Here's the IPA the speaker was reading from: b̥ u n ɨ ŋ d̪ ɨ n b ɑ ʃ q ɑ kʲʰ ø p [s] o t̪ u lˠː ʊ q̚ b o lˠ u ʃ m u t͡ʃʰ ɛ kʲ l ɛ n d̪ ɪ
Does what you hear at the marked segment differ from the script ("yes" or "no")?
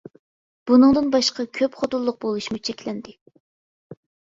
yes